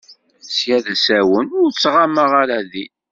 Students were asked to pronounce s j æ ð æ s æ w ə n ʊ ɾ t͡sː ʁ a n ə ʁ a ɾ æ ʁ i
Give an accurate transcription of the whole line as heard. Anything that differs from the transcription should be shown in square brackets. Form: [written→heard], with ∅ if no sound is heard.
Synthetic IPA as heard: s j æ ð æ s æ w ə n ʊ ɾ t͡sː ʁ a [n→m] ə ʁ a ɾ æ [ʁ→ð] i